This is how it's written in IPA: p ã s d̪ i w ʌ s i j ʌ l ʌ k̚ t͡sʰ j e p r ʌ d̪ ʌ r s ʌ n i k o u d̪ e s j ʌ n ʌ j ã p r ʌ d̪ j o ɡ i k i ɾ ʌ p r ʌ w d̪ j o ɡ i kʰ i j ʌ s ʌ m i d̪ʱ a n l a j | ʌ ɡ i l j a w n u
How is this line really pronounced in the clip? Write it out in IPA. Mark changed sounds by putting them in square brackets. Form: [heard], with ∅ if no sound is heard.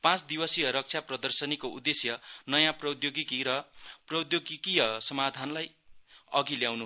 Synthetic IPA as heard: p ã [t͡s] d̪ i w ʌ s i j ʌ [ɾ] ʌ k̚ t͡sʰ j [a] p r ʌ d̪ ʌ r s ʌ n i k o u d̪ e s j ʌ n ʌ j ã p r ʌ d̪ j o ɡ i k i ɾ ʌ p r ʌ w d̪ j o ɡ i [k] i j ʌ s ʌ m [a] d̪ʱ a n l a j | ʌ ɡ i l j a w n u